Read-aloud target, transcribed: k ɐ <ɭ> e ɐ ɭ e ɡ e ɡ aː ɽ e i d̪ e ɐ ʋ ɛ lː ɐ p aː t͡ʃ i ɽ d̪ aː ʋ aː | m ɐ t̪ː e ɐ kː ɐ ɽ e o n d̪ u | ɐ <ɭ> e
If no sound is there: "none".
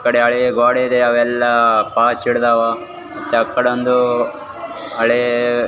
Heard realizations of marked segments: ɽ, ɭ

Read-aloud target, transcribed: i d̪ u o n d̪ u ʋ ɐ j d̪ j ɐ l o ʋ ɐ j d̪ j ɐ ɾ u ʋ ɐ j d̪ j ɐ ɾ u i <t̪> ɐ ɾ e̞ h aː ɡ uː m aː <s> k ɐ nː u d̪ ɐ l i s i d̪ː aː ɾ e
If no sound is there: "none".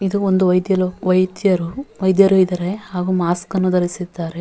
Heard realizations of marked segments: d̪, s

